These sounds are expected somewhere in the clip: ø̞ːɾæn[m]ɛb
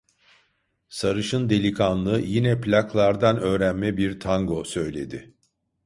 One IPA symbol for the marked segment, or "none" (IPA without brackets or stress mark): m